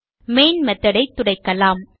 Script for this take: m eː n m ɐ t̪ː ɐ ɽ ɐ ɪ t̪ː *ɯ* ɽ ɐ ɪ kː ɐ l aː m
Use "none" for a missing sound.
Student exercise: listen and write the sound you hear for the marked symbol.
ʊ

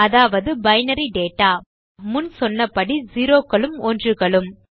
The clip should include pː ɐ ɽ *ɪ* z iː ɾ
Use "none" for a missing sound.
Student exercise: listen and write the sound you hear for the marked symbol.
i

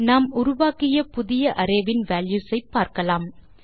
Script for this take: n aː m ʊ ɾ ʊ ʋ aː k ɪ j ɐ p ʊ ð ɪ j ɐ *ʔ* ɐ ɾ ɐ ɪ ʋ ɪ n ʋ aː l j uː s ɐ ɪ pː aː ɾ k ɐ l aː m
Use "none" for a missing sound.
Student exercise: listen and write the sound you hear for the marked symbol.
ʔ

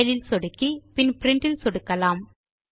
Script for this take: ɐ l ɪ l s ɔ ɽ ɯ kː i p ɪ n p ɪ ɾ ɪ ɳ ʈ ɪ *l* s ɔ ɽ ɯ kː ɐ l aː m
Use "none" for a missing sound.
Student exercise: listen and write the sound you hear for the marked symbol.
l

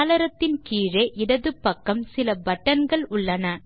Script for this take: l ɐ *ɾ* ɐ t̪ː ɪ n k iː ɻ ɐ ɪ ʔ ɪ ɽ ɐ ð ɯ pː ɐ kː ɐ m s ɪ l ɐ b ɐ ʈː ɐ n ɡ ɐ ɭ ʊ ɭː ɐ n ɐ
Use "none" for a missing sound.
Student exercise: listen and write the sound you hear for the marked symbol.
ɾ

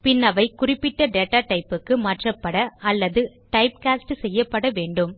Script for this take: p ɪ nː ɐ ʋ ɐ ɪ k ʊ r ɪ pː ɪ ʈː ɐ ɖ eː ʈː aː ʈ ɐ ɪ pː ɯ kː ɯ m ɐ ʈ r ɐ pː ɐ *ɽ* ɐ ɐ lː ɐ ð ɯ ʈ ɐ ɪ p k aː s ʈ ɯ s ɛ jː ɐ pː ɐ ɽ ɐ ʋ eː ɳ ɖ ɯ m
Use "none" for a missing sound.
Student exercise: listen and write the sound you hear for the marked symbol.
ɽ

